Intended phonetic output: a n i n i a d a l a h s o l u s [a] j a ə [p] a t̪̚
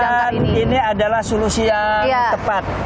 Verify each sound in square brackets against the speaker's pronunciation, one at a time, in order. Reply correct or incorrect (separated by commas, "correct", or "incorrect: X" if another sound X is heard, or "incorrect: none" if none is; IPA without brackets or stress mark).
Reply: incorrect: i, correct